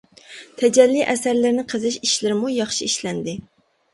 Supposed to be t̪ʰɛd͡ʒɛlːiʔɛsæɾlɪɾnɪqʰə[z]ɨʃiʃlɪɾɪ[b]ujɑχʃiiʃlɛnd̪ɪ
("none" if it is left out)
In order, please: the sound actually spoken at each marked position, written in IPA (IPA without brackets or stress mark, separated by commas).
z, m